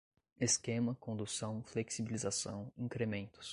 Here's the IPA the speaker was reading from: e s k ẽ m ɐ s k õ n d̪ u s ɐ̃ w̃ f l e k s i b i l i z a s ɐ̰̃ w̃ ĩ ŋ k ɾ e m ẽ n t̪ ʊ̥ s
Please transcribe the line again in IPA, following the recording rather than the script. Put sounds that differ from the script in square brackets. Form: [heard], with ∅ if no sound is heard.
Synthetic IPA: e s k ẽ m ɐ [∅] k õ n d̪ u s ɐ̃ w̃ f l e k s i b i l i z a s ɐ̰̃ w̃ ĩ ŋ k ɾ e m ẽ n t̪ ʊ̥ s